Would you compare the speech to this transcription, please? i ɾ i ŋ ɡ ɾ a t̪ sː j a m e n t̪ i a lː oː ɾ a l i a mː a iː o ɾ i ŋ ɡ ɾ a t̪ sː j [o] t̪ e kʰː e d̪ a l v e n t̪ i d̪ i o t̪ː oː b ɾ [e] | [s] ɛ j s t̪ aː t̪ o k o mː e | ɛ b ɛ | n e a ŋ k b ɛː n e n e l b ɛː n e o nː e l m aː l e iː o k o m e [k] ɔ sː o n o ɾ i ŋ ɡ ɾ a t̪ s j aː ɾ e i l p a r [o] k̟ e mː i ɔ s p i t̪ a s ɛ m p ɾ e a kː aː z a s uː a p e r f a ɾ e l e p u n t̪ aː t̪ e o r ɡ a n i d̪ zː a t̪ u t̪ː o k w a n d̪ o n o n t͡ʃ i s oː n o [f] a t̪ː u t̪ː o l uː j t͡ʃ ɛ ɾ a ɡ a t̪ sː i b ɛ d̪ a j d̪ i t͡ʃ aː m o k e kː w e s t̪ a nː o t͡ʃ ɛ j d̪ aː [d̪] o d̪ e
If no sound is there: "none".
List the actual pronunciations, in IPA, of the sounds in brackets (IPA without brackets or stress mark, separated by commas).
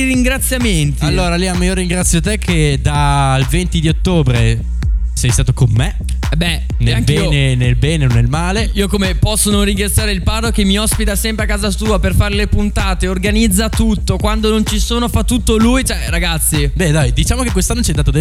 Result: o, e, s, p, o, f, t̪